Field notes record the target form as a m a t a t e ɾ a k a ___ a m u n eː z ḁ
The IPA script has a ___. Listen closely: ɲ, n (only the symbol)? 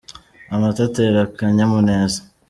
ɲ